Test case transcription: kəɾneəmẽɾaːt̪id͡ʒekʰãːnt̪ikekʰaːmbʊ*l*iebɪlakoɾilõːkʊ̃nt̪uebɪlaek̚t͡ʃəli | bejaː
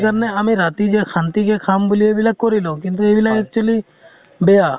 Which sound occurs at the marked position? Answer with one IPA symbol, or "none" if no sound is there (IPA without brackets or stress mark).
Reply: l